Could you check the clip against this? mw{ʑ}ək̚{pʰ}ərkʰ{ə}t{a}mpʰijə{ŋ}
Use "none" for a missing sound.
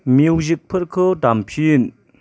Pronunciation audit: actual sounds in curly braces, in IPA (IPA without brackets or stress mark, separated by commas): ʑ, pʰ, ə, a, n